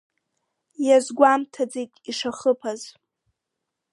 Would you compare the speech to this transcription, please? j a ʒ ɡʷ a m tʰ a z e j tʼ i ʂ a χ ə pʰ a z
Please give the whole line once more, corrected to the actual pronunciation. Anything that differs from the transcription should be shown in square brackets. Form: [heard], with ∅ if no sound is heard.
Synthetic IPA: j a [z] ɡʷ a m tʰ a [d͡z] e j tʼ i ʂ a χ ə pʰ a z